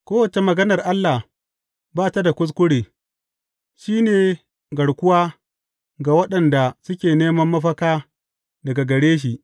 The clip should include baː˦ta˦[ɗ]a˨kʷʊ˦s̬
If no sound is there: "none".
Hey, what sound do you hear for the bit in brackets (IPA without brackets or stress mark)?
d